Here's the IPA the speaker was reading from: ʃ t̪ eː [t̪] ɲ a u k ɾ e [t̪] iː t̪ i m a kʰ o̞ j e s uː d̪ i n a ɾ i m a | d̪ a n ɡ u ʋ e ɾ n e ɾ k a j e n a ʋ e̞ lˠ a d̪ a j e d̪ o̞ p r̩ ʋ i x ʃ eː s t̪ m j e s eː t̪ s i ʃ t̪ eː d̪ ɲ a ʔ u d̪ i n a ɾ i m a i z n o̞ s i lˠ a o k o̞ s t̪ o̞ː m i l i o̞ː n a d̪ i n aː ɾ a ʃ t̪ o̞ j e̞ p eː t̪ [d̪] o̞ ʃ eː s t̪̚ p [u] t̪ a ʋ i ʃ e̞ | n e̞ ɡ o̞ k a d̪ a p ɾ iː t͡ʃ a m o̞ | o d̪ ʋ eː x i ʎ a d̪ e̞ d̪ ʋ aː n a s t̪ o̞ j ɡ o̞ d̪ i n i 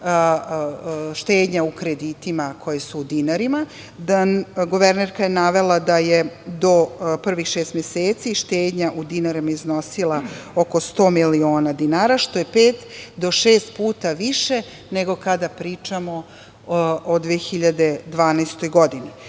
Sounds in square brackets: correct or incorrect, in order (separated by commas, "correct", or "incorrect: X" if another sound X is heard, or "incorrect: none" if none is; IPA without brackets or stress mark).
incorrect: d̪, incorrect: d̪, correct, incorrect: uː